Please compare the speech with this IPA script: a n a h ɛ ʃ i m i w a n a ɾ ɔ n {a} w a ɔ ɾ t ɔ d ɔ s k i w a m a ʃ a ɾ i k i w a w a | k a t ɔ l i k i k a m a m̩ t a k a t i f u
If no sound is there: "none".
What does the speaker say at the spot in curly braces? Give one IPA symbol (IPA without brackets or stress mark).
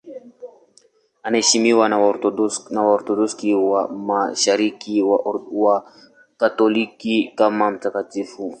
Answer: a